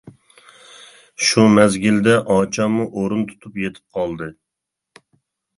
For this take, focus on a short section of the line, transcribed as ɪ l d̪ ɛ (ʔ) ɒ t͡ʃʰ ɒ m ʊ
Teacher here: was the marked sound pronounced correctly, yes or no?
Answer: yes